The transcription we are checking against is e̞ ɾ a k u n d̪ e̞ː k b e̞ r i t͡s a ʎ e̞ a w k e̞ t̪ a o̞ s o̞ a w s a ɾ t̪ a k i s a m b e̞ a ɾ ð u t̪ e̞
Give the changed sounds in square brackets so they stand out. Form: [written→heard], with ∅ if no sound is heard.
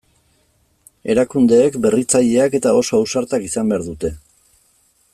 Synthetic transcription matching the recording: e̞ ɾ a k u n d̪ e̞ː k b e̞ r i t͡s a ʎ e̞ a [w→∅] k e̞ t̪ a o̞ s o̞ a w s a ɾ t̪ a k i s a m b e̞ a ɾ ð u t̪ e̞